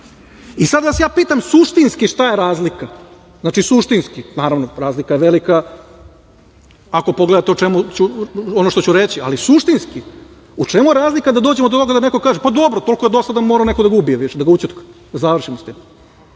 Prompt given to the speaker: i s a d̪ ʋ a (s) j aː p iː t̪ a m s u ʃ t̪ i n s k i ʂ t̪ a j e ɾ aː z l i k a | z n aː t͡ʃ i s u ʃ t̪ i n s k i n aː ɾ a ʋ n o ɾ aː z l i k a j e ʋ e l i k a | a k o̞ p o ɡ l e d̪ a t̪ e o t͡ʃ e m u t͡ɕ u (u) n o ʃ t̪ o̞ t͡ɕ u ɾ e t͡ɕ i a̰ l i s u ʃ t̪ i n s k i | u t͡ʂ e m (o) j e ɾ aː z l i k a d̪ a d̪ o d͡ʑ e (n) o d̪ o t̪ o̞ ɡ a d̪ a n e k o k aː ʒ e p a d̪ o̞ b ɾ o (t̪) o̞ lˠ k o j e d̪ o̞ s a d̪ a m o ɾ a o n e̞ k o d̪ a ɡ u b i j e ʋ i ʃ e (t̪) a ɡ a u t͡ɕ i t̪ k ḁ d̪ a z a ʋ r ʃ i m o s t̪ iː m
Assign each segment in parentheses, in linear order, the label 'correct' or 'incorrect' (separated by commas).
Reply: correct, incorrect, incorrect, incorrect, correct, incorrect